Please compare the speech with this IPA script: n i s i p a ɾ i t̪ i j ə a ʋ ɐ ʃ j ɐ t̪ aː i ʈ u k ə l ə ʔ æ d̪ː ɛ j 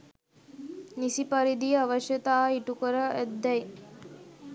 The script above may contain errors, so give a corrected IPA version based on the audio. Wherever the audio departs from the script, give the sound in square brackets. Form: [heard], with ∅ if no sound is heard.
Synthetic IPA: n i s i p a ɾ i [d̪] i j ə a ʋ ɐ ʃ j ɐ t̪ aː i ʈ u k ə [ɾ] ə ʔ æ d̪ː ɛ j